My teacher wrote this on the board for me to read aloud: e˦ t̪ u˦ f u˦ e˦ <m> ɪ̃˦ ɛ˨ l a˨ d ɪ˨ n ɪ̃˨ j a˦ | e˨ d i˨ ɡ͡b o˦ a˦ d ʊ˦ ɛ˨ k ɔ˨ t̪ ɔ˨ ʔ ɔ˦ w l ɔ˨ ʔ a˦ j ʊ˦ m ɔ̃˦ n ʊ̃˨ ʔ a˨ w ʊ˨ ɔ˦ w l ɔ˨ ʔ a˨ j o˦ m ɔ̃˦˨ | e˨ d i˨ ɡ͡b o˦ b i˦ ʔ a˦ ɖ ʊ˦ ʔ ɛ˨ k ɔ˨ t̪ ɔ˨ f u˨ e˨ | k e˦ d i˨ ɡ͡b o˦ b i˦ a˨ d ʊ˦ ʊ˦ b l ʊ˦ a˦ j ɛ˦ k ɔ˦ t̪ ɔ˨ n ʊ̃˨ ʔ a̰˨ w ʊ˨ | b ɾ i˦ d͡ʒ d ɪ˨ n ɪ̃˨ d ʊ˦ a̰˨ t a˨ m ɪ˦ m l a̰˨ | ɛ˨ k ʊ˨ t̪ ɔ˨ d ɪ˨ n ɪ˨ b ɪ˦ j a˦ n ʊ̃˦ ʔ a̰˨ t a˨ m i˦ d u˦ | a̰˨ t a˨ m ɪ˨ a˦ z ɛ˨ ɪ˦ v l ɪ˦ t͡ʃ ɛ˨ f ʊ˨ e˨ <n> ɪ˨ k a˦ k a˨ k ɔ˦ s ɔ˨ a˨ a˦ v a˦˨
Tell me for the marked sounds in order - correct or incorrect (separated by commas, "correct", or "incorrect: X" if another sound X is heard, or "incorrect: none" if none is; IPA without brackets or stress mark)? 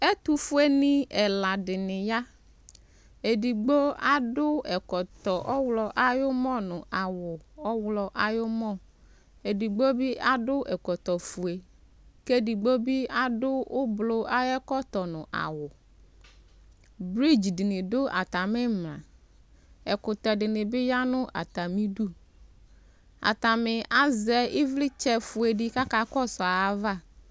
incorrect: n, incorrect: d